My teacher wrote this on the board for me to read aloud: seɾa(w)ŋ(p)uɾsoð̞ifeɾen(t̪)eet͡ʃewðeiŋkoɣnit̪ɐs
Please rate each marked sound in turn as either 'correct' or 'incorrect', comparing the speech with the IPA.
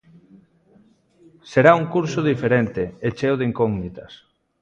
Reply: incorrect: u, incorrect: k, correct

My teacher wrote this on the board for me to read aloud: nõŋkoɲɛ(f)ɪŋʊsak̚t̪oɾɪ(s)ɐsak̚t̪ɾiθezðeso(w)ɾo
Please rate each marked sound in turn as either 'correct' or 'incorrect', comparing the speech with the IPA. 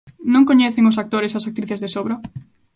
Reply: incorrect: θ, correct, incorrect: β

